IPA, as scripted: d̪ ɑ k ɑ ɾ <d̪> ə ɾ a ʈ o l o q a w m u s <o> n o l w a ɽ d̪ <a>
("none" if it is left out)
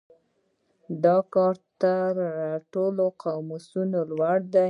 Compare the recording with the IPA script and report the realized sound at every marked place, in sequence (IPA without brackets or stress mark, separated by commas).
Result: t̪, u, a